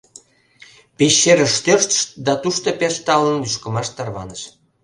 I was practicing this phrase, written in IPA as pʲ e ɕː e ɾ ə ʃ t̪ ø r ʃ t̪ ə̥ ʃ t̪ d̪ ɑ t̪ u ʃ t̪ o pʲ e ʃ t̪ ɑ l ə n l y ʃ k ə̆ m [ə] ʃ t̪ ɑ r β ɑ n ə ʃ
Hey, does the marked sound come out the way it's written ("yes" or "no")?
no